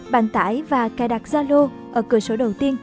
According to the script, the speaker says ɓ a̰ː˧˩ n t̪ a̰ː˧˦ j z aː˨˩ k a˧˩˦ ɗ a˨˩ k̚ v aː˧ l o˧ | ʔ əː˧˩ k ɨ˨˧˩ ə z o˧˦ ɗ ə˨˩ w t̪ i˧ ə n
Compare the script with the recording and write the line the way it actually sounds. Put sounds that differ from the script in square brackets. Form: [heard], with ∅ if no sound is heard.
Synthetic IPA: ɓ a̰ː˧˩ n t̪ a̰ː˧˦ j [v] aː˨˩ k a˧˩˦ ɗ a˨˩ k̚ [z] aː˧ l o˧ | ʔ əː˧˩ k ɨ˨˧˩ ə [s] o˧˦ ɗ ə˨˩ w t̪ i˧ ə n